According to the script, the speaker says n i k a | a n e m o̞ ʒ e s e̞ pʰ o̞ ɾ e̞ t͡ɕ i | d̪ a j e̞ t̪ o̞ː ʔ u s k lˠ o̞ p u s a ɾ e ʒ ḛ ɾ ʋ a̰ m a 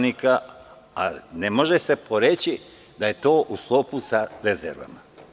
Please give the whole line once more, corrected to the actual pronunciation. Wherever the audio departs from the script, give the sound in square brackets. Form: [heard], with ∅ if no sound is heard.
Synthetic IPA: n i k a | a n e m o̞ ʒ e s e̞ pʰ o̞ ɾ e̞ t͡ɕ i | d̪ a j e̞ t̪ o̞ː ʔ u s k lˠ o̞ p u s a ɾ e [z] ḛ ɾ ʋ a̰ m a